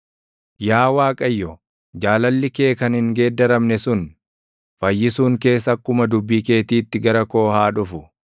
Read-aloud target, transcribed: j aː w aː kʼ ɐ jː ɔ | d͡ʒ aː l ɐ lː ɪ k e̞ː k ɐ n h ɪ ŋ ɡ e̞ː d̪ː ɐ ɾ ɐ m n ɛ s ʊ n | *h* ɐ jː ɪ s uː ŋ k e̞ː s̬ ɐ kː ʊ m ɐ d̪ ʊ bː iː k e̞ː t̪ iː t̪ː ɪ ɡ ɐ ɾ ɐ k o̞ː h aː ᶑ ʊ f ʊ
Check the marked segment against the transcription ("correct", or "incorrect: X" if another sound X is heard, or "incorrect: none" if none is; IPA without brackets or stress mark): incorrect: f